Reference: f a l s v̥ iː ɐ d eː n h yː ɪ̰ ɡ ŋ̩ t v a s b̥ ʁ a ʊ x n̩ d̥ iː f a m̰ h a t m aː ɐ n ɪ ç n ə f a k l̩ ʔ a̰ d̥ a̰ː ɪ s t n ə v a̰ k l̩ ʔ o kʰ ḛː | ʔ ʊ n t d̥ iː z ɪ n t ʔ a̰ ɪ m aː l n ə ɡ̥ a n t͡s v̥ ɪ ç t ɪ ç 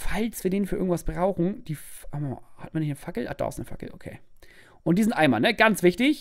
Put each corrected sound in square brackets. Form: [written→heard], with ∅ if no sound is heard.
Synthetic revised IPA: f a l s v̥ iː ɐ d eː n [h→f] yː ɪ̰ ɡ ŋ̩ t v a s b̥ ʁ a ʊ x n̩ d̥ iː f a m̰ h a t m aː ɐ n ɪ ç n ə f a k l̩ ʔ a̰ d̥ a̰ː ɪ s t n ə [v→f] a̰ k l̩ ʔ o kʰ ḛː | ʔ ʊ n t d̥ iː z ɪ n t ʔ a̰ ɪ m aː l n ə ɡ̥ a n t͡s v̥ ɪ ç t ɪ ç